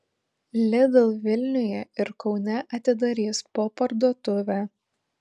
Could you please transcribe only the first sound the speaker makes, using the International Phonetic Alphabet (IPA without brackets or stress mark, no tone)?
lʲ